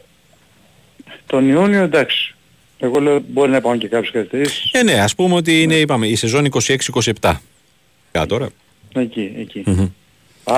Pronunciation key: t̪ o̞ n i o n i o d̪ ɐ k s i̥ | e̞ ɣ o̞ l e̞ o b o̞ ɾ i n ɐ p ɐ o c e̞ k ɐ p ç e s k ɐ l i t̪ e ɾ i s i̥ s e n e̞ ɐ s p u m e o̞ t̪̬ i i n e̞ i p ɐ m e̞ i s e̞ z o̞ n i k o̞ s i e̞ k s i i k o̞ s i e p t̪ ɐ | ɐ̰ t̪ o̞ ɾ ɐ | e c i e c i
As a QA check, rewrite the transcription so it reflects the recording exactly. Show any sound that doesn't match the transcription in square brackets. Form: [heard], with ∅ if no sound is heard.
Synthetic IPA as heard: t̪ o̞ n i o n i o d̪ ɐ k s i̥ | e̞ ɣ o̞ l e̞ o b o̞ ɾ i n ɐ p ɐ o c e̞ k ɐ p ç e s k ɐ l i t̪ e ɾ i s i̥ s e n e̞ ɐ s p u m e o̞ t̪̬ i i n e̞ i p ɐ m e̞ i s e̞ z o̞ n i k o̞ s i e̞ k s i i k o̞ s i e p t̪ ɐ | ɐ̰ t̪ o̞ ɾ ɐ | e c i e c i